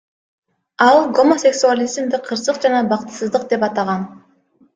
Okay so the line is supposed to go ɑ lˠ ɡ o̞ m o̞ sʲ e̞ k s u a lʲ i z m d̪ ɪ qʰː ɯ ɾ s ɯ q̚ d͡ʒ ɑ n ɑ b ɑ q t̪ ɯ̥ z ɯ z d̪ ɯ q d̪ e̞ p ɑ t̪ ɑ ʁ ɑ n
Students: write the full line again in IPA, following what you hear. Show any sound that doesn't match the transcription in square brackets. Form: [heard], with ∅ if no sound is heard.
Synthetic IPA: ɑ lˠ ɡ o̞ m o̞ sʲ e̞ k s u a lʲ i z m d̪ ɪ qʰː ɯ ɾ s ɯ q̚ d͡ʒ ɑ n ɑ b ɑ q t̪ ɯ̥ [s] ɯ z d̪ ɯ q d̪ e̞ p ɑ t̪ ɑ ʁ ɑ n